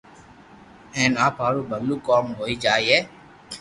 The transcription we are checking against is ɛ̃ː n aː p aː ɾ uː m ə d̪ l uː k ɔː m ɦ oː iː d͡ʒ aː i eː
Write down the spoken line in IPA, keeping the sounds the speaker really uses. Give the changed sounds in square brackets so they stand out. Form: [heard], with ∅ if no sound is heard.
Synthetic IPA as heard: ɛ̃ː n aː p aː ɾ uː [b] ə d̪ l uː k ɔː m ɦ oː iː d͡ʒ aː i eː